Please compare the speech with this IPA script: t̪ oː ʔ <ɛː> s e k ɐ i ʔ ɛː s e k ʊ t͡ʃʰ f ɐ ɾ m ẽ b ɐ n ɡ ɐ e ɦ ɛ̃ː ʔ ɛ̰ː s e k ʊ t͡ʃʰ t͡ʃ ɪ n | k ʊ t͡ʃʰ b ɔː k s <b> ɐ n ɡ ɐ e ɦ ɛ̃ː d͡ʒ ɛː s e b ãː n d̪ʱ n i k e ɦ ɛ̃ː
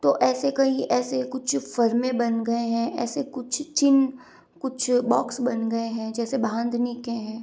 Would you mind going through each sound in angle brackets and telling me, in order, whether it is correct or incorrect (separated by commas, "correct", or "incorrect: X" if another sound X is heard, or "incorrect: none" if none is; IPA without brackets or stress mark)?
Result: correct, correct